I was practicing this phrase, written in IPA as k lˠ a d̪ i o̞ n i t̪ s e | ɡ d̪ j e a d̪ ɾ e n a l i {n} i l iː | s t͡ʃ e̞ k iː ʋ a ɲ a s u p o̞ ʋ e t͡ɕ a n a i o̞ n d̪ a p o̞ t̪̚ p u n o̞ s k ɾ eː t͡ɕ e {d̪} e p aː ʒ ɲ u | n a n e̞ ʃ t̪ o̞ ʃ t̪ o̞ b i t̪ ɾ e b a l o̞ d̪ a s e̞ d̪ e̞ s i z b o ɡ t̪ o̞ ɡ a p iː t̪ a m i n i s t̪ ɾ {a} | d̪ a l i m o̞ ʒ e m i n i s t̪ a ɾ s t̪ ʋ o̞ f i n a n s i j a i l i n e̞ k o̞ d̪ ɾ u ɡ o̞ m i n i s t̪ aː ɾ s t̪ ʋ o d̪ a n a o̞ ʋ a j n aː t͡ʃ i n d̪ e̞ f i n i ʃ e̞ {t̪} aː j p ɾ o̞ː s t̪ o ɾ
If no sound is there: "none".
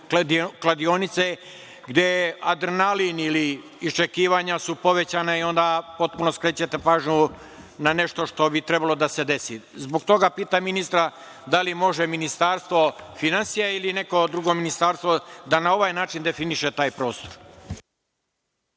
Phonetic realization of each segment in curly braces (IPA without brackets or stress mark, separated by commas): n, t̪, a, t̪